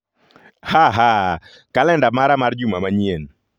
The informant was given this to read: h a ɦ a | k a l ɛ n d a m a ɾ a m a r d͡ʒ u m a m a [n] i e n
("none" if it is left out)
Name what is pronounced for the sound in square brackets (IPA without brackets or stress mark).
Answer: ɲ